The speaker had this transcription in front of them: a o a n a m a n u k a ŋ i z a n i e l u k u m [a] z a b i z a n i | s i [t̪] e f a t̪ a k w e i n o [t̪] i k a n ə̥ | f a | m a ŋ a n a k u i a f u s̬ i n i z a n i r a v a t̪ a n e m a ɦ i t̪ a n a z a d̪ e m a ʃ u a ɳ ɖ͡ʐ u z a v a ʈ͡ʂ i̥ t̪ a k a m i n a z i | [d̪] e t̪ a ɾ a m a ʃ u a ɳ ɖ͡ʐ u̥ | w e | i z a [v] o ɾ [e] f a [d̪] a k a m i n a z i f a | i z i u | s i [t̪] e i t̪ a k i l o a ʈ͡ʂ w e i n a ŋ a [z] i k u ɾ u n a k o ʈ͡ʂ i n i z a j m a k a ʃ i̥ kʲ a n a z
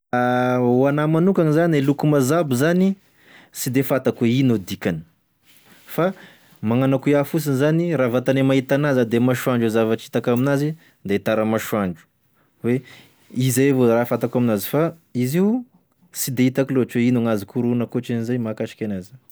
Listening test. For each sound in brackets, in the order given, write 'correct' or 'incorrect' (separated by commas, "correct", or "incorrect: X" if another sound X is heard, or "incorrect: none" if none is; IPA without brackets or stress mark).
correct, incorrect: d̪, incorrect: d̪, correct, correct, incorrect: a, incorrect: t̪, incorrect: d̪, correct